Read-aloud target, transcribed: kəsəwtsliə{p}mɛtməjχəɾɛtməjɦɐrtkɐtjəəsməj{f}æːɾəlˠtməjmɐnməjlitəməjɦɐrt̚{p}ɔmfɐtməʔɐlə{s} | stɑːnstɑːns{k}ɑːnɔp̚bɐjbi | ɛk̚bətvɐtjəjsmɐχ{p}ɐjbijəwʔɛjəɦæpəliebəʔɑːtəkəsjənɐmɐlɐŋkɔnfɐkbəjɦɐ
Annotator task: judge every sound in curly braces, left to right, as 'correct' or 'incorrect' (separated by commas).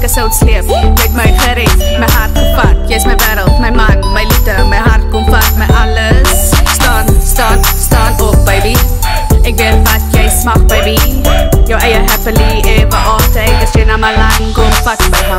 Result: correct, incorrect, incorrect, correct, incorrect, incorrect